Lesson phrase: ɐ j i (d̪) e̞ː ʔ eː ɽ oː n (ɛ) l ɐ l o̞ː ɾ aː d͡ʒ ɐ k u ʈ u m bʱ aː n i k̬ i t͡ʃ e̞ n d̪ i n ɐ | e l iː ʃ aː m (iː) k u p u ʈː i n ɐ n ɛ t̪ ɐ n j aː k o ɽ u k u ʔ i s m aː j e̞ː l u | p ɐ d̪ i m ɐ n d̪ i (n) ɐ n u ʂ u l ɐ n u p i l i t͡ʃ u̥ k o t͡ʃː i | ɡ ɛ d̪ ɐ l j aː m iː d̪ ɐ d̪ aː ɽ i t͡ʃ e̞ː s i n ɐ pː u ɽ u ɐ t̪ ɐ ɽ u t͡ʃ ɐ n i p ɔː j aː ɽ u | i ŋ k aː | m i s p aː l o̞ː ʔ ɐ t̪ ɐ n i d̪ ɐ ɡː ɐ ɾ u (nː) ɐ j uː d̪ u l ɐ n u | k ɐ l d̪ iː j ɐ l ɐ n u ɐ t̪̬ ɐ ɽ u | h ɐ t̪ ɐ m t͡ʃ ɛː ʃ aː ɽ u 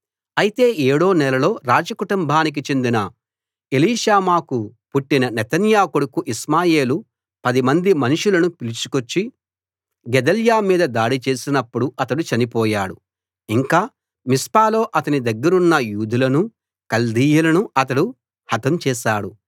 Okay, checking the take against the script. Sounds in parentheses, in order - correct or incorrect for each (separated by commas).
incorrect, correct, incorrect, incorrect, correct